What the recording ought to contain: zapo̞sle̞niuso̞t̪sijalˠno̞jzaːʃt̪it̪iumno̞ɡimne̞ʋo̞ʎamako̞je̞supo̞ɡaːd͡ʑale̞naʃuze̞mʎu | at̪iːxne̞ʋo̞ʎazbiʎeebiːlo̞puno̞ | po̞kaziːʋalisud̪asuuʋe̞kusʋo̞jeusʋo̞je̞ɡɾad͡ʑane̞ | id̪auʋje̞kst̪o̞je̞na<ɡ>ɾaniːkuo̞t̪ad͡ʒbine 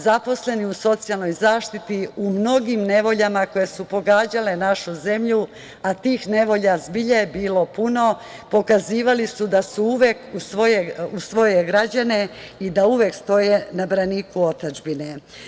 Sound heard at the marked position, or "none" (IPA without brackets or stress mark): b